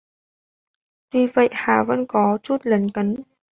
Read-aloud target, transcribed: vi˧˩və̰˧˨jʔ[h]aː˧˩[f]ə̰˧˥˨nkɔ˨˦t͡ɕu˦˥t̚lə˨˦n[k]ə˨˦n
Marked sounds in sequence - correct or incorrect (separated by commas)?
correct, incorrect, correct